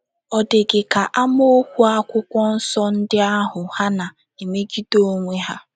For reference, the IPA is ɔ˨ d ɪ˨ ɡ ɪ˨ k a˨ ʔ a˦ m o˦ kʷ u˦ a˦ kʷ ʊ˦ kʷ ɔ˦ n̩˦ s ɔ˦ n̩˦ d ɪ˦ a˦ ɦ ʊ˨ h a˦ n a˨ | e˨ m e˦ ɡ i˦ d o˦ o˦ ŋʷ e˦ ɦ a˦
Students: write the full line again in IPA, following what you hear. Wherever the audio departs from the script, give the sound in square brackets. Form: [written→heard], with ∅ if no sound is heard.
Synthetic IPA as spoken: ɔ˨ d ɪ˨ ɡ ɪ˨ k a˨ ʔ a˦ m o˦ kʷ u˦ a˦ kʷ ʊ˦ kʷ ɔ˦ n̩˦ s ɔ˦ n̩˦ d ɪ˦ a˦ ɦ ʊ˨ h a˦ n a˨ | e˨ m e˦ ɡ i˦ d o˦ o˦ ŋʷ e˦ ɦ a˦